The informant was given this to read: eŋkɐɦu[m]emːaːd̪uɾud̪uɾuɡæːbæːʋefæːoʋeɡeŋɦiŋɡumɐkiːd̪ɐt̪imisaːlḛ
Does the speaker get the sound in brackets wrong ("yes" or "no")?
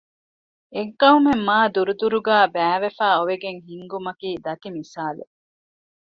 no